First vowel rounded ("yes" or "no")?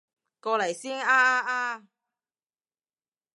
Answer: yes